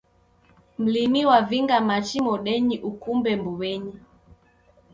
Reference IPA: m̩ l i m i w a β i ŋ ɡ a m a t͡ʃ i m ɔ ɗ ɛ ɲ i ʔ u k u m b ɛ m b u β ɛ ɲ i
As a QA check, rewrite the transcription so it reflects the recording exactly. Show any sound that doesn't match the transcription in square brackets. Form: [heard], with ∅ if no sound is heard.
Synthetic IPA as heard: m̩ l i m i w a [v] i ŋ ɡ a m a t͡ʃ i m ɔ ɗ ɛ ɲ i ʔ u k u m b ɛ m b u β ɛ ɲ i